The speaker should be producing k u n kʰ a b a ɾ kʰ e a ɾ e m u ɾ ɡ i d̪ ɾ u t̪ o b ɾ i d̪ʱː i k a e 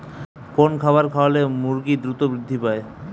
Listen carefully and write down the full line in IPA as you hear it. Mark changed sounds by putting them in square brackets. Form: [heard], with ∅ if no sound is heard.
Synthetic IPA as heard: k [o] n kʰ a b a ɾ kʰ [a] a [l] e m u ɾ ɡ i d̪ ɾ u t̪ o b ɾ i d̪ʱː i [p] a e